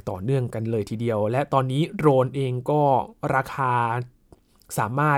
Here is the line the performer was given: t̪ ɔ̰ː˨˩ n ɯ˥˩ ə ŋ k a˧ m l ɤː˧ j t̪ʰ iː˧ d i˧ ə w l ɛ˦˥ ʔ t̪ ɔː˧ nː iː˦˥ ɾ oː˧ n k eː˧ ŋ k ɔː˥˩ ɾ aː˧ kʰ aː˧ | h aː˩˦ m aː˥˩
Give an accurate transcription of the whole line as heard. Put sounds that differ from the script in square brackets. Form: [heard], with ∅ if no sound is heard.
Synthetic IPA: t̪ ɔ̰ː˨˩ n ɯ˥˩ ə ŋ k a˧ [n] l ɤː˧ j t̪ʰ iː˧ d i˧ ə w l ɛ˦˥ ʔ t̪ ɔː˧ nː iː˦˥ ɾ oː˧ n [ʔ] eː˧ ŋ k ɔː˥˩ ɾ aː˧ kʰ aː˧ | [s] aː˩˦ m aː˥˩